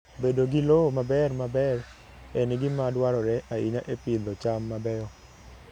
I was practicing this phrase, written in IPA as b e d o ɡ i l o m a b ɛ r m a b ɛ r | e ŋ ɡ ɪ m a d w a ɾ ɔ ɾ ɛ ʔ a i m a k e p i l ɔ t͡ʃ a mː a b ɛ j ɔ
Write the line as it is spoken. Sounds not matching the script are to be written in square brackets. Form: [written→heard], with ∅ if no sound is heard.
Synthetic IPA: b e d o ɡ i l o m a b ɛ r m a b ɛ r | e [ŋ→n] ɡ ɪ m a d w a ɾ ɔ ɾ ɛ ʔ a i [m→ɲ] a [k→ʔ] e p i l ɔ t͡ʃ a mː a b ɛ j ɔ